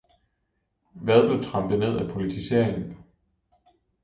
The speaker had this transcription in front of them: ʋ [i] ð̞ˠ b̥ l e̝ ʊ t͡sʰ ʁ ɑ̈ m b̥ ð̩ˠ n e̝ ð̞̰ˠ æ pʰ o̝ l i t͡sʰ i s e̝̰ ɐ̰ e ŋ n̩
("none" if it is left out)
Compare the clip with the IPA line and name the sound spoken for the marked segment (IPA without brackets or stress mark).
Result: æ